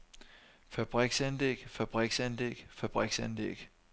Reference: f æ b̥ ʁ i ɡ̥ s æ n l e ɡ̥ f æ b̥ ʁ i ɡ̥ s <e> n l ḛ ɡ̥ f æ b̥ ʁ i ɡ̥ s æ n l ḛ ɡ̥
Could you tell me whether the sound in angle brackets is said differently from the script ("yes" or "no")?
yes